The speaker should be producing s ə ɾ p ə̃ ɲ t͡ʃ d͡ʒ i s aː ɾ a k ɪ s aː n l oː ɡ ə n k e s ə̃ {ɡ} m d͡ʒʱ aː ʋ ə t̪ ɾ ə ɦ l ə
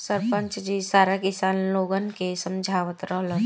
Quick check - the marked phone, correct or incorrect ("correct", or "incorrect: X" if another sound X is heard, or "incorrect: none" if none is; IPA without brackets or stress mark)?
incorrect: none